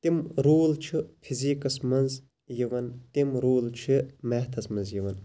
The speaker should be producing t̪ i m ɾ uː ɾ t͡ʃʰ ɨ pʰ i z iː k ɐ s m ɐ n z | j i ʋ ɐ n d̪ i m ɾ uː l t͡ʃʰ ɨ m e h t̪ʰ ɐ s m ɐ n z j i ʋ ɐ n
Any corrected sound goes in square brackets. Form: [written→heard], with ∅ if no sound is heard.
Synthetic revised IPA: t̪ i m ɾ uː [ɾ→l] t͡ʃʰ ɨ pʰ i z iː k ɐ s m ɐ n z | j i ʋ ɐ n [d̪→t̪] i m ɾ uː l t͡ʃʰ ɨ m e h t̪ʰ ɐ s m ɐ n z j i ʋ ɐ n